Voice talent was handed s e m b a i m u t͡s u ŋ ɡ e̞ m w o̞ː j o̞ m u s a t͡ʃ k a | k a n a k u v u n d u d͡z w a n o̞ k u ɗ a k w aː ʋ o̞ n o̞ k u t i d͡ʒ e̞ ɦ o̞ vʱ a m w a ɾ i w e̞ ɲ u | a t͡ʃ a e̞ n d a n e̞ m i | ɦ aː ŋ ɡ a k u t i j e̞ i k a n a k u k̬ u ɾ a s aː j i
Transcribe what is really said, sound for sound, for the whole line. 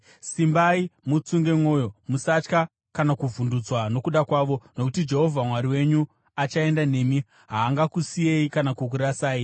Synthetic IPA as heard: s i m b a i m u t͡s u ŋ ɡ e̞ m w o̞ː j o̞ m u s a t͡ʃ k a | k a n a k u v u n d u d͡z w a n o̞ k u ɗ a k w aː ʋ o̞ n o̞ k u t i d͡ʒ e̞ ɦ o̞ vʱ a m w a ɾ i w e̞ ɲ u | a t͡ʃ a e̞ n d a n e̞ m i | ɦ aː ŋ ɡ a k u s i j e̞ i k a n a k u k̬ u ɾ a s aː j i